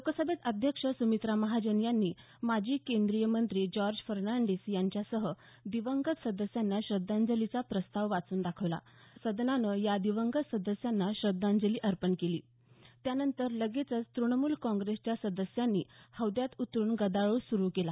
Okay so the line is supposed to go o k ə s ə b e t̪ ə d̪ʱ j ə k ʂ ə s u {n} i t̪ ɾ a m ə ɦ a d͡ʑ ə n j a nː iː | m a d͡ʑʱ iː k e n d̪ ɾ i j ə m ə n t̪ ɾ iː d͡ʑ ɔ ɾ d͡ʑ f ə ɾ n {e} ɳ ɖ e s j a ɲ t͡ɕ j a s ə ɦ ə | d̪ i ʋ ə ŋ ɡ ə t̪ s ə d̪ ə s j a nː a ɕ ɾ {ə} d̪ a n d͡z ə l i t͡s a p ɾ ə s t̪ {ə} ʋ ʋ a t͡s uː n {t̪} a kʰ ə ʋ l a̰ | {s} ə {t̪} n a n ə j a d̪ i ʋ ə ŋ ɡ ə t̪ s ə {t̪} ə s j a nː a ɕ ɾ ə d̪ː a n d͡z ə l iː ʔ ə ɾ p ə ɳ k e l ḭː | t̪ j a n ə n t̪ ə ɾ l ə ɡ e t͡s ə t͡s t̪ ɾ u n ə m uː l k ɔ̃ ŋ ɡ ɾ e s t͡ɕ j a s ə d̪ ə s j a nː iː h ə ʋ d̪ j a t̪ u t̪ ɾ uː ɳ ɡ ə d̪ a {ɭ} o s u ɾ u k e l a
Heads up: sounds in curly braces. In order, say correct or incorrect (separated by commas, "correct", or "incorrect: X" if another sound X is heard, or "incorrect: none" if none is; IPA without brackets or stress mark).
incorrect: m, incorrect: a, correct, incorrect: a, incorrect: d̪, correct, incorrect: d̪, incorrect: d̪, correct